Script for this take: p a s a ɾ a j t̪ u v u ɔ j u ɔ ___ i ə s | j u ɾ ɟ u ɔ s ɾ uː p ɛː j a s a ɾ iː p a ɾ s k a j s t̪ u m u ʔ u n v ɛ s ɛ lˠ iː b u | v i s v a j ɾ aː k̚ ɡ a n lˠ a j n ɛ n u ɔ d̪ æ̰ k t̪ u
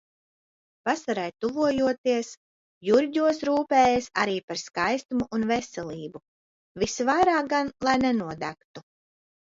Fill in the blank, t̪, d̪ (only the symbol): t̪